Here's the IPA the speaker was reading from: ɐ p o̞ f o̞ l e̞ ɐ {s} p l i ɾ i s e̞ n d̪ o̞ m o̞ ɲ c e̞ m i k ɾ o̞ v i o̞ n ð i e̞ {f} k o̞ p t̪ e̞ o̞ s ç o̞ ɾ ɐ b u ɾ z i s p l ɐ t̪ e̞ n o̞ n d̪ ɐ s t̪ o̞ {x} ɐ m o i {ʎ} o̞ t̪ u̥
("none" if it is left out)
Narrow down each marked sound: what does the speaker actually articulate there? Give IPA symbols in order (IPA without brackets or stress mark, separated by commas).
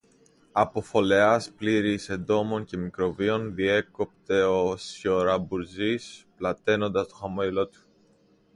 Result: s, none, x, l